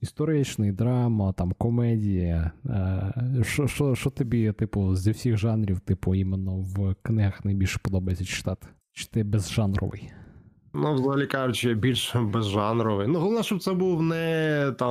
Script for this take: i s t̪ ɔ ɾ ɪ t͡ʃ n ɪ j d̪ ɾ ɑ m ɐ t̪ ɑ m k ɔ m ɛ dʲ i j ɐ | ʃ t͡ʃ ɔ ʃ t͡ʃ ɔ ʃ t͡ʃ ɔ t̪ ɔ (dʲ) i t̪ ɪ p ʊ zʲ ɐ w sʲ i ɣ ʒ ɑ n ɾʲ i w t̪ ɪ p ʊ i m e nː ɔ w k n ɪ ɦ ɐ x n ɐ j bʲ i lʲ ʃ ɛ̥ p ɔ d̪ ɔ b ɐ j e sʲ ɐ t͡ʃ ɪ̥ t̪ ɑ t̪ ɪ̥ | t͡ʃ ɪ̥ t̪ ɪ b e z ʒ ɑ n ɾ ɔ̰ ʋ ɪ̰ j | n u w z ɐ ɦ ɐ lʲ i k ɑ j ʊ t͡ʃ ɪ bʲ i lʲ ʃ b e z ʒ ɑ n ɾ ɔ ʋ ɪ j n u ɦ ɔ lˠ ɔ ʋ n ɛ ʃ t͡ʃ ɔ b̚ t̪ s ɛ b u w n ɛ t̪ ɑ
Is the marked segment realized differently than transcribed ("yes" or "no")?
yes